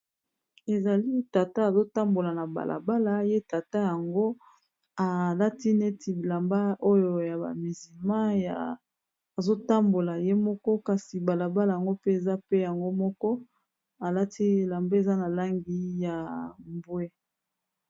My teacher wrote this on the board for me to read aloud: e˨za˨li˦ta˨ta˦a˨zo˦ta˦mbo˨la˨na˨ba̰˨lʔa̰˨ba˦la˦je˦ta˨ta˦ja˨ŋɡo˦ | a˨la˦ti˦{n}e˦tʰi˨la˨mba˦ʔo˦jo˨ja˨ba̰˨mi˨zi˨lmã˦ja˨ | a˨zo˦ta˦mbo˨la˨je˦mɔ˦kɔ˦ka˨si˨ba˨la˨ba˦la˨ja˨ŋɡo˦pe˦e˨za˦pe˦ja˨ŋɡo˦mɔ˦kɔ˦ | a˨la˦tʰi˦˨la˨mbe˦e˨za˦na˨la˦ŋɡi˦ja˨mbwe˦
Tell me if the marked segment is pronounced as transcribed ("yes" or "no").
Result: yes